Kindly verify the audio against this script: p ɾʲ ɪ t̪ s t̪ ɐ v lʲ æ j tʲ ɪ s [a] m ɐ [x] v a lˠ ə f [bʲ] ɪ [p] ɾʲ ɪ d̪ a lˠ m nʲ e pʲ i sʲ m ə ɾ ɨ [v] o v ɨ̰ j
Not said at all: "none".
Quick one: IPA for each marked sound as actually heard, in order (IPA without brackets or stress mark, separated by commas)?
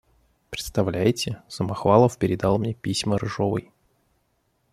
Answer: ə, x, pʲ, none, ʐ